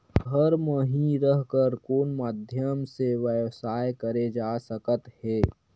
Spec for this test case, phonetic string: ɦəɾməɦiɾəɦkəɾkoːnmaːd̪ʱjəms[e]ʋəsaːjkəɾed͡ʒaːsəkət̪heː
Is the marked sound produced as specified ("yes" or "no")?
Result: yes